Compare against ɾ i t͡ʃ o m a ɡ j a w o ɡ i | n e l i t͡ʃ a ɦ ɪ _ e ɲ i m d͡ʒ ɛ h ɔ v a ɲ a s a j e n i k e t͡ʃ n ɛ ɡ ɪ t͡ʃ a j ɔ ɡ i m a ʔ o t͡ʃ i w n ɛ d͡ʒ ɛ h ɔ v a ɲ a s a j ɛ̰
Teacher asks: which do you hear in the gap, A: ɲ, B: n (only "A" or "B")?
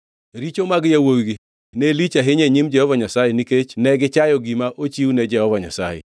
A